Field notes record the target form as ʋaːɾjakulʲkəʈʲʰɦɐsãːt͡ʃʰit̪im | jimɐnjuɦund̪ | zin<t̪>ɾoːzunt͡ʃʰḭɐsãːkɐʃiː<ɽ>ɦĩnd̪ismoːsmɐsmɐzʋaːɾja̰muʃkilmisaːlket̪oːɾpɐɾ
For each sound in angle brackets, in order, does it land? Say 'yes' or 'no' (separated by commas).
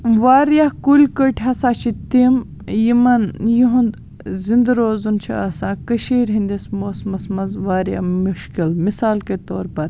no, no